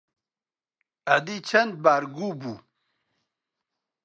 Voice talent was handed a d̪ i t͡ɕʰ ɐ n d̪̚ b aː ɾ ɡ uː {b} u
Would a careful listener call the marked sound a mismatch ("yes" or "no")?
no